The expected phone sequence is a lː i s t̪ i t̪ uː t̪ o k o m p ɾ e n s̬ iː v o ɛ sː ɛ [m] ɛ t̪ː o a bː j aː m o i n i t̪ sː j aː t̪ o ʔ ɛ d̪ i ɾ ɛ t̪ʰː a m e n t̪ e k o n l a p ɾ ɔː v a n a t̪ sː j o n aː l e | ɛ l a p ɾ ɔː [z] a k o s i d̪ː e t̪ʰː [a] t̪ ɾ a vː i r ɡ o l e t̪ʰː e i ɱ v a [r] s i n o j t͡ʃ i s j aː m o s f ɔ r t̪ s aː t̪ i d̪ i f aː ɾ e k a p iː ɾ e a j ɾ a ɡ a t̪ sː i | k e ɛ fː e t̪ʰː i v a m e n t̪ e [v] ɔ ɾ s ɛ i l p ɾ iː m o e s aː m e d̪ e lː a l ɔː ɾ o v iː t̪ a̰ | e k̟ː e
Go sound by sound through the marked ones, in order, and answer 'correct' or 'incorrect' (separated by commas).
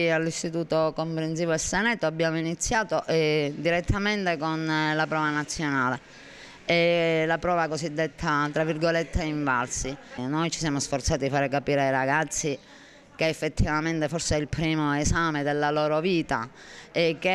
incorrect, incorrect, correct, incorrect, incorrect